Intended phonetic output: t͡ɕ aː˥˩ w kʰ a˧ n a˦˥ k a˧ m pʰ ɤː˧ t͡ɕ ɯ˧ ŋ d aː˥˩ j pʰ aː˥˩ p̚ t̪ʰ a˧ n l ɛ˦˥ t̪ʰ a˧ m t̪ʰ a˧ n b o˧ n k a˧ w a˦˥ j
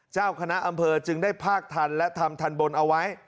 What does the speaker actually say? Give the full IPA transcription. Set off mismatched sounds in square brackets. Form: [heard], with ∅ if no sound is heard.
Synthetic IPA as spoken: t͡ɕ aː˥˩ w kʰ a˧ n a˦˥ [ʔ] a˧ m pʰ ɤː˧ t͡ɕ ɯ˧ ŋ d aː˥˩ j pʰ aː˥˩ [k̚] t̪ʰ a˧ n l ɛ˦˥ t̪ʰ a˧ m t̪ʰ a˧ n b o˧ n [ʔ] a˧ w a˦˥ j